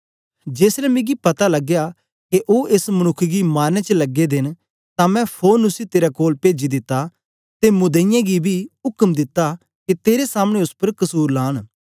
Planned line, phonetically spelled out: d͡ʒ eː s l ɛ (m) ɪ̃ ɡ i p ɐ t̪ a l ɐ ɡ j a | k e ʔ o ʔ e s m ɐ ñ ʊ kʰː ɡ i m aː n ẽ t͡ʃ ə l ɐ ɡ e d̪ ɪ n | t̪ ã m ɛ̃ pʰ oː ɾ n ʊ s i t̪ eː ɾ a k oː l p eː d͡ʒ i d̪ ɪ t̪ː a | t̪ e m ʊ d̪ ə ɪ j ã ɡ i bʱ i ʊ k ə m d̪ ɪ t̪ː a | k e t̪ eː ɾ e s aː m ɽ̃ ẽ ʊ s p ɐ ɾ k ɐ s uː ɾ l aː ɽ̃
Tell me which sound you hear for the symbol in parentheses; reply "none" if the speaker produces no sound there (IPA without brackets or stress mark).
m